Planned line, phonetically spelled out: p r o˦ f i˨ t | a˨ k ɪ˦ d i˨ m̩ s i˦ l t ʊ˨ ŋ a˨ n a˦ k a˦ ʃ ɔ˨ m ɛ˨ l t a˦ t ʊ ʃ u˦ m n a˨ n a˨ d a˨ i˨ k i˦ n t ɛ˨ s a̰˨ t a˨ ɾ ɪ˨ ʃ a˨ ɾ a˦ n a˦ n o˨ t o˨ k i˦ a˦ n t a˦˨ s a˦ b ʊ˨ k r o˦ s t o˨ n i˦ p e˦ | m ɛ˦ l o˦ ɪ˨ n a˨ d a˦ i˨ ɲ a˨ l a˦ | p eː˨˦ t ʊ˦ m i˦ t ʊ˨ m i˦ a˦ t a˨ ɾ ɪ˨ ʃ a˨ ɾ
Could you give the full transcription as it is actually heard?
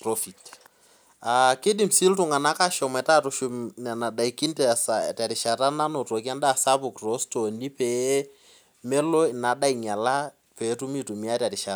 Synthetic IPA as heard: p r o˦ f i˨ t | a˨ k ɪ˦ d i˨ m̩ s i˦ l t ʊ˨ ŋ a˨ n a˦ k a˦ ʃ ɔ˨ m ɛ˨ t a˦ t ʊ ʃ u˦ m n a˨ n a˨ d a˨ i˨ k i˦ n t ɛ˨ s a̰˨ t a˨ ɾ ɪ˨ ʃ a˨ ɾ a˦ n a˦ n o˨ t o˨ k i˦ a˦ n d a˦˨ s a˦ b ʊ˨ k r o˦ s t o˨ n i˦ p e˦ | m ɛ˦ l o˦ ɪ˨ n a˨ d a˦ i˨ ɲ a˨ l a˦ | p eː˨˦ t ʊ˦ m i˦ t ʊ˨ m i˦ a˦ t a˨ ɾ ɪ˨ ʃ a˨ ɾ